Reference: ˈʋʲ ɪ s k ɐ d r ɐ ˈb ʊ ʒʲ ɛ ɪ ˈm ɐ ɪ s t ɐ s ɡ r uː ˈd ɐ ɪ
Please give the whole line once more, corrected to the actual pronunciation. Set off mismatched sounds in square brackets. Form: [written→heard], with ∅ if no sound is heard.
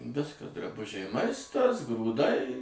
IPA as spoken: ˈʋʲ ɪ s k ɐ d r ɐ ˈb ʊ ʒʲ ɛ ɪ ˈm ɐ ɪ s t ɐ s ɡ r uː ˈd ɐ ɪ